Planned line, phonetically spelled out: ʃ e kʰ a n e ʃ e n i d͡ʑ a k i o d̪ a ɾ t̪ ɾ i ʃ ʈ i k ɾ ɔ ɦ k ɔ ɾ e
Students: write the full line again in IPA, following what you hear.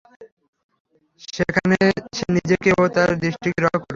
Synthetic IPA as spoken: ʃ e kʰ a n e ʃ e n i d͡ʑ e k e o t̪ a ɾ d̪ ɾ i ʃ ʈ i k ɾ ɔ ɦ k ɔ ɾ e